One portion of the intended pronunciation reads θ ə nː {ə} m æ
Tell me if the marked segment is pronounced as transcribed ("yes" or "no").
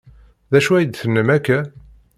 yes